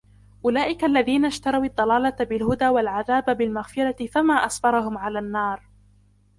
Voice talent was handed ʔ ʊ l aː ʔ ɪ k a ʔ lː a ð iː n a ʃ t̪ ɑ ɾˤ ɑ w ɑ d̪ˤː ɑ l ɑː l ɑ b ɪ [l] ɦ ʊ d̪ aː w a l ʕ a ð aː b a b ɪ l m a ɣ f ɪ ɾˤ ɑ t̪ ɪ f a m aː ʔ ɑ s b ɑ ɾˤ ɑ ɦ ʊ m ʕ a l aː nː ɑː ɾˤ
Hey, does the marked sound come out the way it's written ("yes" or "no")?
yes